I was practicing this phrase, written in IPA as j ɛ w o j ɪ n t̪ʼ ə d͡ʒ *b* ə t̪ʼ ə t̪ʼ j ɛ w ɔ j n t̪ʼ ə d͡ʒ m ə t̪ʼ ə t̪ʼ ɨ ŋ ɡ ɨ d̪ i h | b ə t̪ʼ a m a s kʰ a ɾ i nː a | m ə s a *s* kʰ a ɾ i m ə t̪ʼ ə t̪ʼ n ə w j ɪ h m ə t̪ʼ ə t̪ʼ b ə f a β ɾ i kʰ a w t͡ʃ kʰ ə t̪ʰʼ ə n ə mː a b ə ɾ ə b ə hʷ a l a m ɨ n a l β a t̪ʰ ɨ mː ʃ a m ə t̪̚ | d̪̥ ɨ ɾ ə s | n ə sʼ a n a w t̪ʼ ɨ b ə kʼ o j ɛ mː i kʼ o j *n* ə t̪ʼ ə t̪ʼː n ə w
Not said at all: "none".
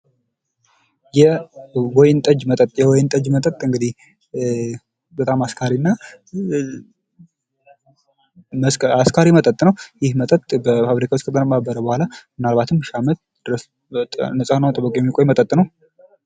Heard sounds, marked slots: m, s, m

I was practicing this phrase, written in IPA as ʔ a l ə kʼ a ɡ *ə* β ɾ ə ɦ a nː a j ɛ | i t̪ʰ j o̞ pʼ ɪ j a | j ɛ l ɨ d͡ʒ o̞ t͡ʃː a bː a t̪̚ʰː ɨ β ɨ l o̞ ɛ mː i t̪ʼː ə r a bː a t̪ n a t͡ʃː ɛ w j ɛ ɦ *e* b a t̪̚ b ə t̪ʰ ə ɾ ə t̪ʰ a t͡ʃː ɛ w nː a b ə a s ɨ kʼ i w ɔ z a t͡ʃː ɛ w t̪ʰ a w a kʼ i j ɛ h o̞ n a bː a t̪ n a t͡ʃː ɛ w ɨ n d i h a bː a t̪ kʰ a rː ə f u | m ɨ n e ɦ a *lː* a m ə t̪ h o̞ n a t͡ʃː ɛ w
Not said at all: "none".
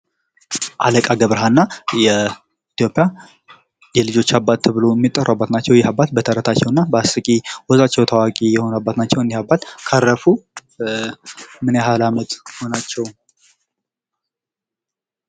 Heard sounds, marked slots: ə, a, l

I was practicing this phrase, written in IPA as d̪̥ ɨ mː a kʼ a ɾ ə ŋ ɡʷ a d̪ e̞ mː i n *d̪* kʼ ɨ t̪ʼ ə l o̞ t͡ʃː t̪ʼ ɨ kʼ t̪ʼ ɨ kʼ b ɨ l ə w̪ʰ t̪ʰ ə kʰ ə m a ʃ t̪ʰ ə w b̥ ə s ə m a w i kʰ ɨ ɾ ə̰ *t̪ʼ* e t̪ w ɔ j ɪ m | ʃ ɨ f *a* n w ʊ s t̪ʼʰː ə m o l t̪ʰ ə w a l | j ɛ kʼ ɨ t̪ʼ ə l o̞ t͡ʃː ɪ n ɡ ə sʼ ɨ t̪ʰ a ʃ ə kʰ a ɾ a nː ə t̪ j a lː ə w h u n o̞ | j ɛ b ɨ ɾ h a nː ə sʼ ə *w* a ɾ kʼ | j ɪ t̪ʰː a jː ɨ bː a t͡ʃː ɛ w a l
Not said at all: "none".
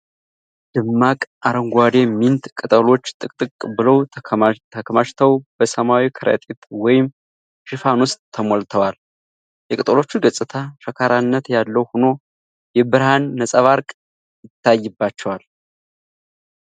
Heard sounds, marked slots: t̪, t̪ʼ, a, β

